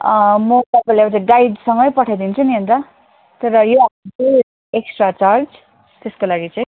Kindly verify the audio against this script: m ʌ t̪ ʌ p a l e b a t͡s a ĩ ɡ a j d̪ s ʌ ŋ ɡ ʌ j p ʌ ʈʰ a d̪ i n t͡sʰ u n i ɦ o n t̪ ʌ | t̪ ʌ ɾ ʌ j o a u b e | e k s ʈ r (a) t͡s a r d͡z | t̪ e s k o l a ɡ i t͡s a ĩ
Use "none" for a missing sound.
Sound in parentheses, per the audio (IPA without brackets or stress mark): a